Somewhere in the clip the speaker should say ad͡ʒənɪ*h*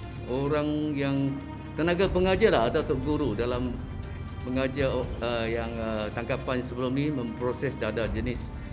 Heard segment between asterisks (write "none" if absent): s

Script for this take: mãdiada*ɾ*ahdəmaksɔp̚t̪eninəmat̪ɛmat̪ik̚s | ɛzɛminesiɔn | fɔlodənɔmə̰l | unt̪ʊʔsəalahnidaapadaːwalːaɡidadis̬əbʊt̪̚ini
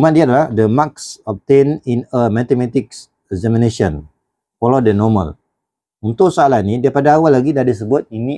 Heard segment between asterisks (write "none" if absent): l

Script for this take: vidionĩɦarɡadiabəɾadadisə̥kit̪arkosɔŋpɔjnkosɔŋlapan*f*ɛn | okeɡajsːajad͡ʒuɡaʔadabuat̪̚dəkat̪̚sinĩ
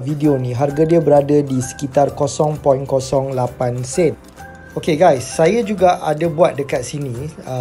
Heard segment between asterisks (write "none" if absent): s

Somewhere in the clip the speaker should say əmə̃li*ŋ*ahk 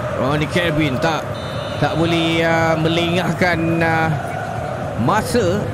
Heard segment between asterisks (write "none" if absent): ŋ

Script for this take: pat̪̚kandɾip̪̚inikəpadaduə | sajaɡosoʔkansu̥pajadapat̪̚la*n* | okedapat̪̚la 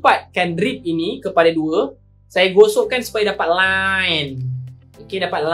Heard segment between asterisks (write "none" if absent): n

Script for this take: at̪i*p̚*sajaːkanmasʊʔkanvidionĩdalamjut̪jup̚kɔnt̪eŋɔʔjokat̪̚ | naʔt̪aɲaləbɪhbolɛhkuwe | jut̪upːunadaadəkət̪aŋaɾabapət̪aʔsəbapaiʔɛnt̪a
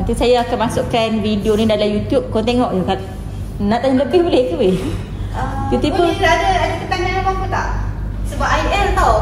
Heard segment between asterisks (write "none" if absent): none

